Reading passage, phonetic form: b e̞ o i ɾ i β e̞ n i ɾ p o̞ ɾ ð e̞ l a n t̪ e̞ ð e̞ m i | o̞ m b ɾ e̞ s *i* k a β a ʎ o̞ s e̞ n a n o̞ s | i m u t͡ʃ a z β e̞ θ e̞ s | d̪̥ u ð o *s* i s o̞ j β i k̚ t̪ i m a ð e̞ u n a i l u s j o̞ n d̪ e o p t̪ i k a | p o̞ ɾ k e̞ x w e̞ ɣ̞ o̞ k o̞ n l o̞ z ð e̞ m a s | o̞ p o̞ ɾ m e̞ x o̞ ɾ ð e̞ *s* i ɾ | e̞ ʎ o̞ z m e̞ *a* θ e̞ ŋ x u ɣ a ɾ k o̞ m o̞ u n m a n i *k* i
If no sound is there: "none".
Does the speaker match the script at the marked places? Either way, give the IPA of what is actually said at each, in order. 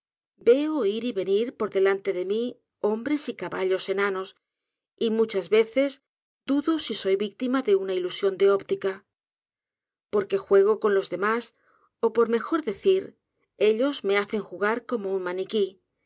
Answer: i, s, θ, a, k

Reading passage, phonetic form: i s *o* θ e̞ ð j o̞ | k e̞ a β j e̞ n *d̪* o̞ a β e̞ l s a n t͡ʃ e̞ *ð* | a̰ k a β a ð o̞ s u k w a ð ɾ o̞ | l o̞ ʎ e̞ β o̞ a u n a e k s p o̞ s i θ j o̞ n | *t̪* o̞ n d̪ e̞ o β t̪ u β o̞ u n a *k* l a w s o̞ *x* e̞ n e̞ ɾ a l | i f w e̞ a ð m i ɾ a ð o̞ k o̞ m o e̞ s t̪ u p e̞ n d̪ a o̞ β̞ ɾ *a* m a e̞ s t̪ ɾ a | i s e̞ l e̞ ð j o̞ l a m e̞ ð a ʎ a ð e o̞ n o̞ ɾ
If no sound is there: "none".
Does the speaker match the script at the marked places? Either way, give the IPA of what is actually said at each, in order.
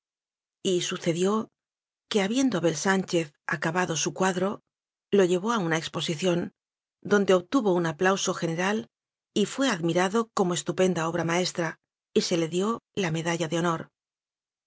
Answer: u, d̪, θ, d̪, p, x, a

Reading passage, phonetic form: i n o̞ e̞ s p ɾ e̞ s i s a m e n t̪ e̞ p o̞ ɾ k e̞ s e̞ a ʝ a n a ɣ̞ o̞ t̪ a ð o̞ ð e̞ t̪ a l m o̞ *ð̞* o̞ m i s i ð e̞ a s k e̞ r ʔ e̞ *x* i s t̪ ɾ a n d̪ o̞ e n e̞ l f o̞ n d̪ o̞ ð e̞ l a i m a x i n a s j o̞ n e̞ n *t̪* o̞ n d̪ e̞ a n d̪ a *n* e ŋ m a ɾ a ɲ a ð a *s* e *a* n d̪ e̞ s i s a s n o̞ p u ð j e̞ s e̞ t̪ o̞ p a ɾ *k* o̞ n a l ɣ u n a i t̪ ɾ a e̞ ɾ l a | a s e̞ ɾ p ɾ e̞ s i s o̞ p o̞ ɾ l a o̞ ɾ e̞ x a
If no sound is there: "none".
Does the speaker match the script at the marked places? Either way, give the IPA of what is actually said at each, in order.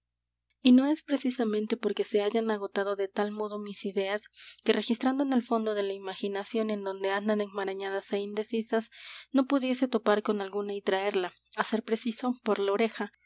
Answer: ð̞, x, d̪, n, s, i, k

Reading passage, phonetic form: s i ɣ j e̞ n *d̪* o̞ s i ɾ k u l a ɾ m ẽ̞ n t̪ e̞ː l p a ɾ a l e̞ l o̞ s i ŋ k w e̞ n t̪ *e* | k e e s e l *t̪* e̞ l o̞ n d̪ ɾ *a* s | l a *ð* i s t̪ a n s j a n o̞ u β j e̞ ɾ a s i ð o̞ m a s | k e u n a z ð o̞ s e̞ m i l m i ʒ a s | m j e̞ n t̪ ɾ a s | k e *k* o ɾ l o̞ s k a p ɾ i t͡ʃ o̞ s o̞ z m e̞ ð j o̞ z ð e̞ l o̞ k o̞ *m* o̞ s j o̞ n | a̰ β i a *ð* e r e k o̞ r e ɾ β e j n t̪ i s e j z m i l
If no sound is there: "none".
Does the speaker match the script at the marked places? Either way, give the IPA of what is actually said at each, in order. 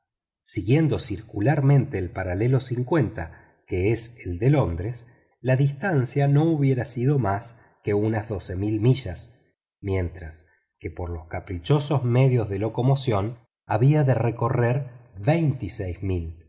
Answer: d̪, a, d̪, e, ð, p, m, ð

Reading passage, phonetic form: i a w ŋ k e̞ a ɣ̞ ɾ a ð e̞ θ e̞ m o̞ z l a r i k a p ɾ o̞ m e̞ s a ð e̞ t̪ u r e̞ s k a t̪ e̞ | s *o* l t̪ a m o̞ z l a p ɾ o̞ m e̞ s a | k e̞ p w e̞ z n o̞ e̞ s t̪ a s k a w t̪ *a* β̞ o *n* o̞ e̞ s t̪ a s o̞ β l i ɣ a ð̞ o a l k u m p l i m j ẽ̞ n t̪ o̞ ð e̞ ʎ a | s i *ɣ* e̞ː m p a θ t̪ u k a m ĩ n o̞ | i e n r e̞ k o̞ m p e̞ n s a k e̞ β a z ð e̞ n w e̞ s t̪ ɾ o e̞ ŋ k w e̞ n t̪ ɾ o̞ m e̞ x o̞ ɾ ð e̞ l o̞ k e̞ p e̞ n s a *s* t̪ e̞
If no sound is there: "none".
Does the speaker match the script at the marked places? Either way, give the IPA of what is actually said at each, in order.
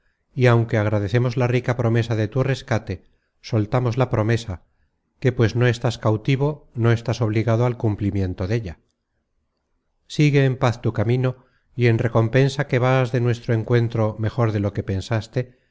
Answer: o, i, n, ɣ, s

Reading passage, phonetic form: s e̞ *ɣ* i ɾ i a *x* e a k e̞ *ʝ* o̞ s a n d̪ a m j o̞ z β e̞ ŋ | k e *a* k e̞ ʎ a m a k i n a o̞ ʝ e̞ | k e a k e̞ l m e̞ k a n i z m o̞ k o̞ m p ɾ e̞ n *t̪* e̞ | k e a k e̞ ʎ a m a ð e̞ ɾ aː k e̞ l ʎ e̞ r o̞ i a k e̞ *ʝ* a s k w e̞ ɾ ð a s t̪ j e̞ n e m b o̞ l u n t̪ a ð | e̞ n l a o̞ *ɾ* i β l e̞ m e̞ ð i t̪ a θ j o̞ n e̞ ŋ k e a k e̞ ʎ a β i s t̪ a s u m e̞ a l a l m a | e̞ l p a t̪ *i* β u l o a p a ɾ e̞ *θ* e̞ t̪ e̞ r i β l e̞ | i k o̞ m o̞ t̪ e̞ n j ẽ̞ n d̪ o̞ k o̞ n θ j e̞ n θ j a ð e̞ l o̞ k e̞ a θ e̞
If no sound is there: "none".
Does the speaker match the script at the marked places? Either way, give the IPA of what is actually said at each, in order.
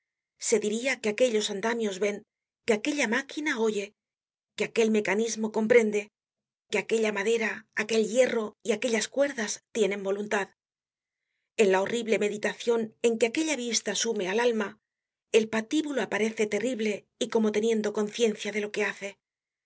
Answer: ð, k, ʎ, a, d̪, ʎ, r, i, θ

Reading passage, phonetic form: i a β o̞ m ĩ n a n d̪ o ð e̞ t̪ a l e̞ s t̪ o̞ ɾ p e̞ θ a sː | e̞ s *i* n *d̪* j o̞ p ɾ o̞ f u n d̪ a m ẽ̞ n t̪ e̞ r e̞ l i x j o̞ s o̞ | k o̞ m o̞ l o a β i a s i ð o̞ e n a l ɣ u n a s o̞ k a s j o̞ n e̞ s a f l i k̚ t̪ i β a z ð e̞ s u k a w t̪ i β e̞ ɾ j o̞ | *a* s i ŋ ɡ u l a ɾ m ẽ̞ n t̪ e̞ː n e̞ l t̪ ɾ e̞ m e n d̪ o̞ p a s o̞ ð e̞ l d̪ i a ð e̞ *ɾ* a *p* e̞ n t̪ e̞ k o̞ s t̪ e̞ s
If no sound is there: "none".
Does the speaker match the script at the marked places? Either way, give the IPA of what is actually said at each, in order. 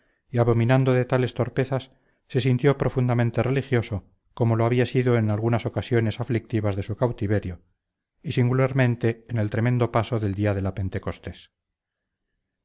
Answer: i, t̪, i, l, p

